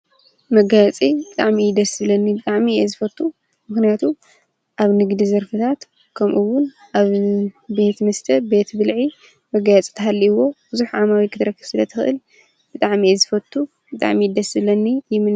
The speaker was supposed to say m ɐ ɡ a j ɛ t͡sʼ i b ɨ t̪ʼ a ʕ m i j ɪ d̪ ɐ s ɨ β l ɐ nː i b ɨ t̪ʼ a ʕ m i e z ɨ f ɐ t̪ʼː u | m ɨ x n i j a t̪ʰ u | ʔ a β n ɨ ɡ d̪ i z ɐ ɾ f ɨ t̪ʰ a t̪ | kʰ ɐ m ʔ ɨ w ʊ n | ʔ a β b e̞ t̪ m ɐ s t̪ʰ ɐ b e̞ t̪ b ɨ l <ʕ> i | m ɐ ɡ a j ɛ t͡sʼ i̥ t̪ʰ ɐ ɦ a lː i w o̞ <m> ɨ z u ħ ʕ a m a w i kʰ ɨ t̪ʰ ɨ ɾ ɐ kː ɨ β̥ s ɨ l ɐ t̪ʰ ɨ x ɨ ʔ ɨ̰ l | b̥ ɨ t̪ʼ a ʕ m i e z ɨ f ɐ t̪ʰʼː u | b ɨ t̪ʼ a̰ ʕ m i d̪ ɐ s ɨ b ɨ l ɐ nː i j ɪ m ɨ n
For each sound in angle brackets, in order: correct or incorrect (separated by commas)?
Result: correct, incorrect